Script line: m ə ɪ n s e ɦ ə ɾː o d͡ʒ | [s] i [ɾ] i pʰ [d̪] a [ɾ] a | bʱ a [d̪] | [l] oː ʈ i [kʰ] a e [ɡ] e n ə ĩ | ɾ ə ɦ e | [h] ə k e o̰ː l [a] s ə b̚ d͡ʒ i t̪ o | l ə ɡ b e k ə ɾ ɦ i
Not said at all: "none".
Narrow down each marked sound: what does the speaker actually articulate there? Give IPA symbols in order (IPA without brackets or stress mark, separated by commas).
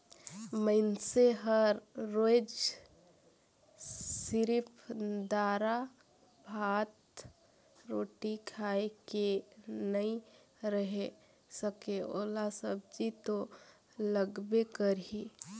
s, ɾ, d̪, ɾ, t̪, ɾ, kʰ, k, s, a